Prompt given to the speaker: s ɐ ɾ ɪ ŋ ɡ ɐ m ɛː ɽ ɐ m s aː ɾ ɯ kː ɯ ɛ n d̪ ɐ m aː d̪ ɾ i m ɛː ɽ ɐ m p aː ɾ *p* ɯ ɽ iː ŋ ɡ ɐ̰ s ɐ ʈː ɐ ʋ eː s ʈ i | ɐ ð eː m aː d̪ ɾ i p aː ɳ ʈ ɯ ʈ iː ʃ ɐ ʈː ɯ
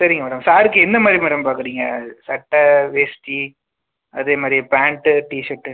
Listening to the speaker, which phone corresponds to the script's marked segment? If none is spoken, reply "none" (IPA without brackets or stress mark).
k